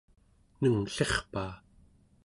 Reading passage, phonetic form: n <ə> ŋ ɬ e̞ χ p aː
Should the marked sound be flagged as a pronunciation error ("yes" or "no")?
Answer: no